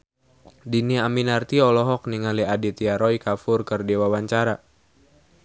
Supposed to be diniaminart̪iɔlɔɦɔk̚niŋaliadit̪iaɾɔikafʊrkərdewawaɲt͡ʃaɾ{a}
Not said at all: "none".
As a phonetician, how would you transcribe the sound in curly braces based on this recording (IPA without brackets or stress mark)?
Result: a